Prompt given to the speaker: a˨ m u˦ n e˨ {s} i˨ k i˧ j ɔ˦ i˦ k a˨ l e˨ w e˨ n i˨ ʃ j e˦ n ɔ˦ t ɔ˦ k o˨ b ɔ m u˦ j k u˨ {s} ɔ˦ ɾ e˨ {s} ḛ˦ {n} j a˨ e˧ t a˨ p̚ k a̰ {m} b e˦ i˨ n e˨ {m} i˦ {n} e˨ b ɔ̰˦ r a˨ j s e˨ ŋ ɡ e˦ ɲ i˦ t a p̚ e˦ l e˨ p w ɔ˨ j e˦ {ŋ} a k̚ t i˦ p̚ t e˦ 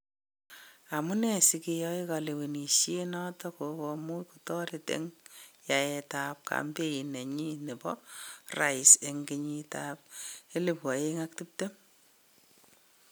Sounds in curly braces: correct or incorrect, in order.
correct, incorrect: t, incorrect: t, incorrect: ŋ, correct, incorrect: ɲ, correct, correct

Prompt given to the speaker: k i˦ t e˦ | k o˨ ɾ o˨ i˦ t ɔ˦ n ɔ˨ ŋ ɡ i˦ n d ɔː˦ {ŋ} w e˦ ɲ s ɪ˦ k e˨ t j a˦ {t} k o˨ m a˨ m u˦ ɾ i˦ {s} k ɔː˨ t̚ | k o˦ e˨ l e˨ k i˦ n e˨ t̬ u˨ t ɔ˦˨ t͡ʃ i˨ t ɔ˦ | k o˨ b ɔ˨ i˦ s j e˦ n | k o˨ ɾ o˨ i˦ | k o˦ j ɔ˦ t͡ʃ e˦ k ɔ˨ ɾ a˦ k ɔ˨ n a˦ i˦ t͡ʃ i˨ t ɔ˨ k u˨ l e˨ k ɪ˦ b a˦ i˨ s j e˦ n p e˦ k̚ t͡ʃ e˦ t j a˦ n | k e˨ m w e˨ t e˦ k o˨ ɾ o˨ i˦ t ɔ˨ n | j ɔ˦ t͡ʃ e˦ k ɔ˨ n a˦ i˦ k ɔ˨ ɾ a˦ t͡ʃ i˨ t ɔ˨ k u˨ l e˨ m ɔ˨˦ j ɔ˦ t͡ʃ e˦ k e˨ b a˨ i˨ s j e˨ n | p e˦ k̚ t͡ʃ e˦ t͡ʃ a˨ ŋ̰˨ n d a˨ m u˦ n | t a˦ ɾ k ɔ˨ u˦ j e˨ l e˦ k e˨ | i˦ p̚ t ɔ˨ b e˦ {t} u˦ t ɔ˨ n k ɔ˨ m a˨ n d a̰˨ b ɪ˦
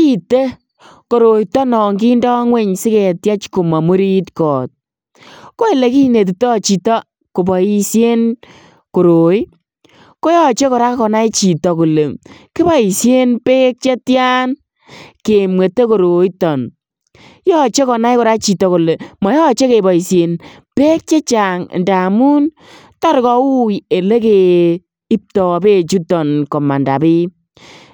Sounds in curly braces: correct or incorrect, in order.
correct, incorrect: t͡ʃ, incorrect: t, incorrect: t͡ʃ

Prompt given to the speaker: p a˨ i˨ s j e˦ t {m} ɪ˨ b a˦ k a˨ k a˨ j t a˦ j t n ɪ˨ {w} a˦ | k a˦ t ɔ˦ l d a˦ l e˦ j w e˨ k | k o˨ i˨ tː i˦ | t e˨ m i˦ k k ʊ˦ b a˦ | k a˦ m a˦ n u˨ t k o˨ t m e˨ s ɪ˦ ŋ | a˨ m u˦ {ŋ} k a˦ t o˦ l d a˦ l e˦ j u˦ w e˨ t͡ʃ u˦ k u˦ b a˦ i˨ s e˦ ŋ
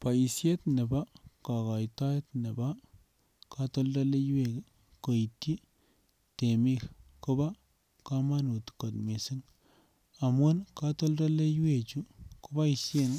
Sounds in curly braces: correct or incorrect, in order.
incorrect: n, incorrect: b, incorrect: n

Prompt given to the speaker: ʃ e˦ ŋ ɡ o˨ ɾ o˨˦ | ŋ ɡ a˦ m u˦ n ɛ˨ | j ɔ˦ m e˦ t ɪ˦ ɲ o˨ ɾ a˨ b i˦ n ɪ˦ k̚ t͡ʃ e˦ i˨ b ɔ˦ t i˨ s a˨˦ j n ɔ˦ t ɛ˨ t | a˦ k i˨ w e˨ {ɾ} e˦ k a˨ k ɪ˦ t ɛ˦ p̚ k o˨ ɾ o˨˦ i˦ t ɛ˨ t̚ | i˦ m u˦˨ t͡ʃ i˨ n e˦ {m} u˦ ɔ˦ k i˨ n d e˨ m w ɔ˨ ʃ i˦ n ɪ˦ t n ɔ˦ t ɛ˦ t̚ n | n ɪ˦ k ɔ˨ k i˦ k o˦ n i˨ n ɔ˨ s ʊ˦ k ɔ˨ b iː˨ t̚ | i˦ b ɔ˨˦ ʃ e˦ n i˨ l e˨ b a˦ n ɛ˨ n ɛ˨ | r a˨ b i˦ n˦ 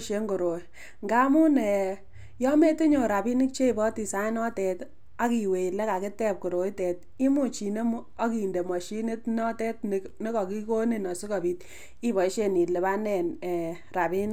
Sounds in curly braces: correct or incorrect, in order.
incorrect: l, correct

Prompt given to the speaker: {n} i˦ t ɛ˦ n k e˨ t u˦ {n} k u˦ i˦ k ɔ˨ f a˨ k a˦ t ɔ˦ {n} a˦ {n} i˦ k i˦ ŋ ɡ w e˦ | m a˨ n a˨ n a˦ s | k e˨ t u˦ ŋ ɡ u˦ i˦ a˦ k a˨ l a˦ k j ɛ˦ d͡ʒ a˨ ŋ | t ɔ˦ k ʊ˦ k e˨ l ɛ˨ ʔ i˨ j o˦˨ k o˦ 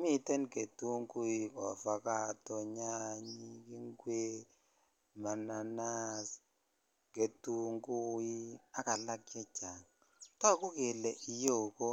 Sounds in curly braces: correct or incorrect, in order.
incorrect: m, incorrect: ŋ, incorrect: ɲ, incorrect: ɲ

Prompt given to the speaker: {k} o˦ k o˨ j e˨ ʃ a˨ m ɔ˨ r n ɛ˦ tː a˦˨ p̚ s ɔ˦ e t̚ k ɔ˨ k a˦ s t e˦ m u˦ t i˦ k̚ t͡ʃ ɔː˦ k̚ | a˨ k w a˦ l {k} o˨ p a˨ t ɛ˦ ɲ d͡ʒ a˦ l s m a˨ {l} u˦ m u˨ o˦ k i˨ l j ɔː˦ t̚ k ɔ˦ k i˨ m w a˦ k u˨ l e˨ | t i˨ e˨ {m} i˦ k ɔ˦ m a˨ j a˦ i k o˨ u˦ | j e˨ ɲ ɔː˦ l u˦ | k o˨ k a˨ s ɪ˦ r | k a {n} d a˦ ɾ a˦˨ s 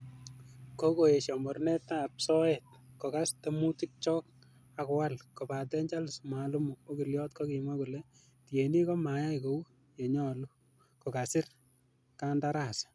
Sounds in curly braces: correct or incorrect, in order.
correct, correct, correct, incorrect: n, correct

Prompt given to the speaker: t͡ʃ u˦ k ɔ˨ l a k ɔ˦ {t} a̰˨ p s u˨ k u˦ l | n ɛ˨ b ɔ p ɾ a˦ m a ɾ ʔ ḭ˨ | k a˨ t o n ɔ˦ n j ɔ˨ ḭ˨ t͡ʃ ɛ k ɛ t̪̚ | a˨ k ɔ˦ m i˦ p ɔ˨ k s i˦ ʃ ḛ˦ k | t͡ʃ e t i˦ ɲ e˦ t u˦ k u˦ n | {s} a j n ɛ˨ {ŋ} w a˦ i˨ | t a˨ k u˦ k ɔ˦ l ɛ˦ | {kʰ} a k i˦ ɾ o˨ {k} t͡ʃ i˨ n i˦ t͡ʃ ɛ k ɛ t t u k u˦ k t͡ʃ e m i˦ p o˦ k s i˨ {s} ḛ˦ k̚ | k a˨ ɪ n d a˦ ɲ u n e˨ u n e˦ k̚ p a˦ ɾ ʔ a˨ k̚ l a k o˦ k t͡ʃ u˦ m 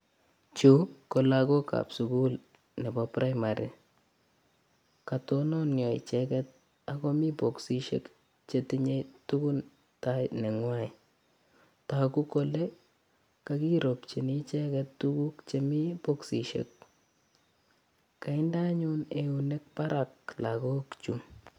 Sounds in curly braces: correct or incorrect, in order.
incorrect: k, incorrect: t, correct, incorrect: k, incorrect: p, incorrect: ʃ

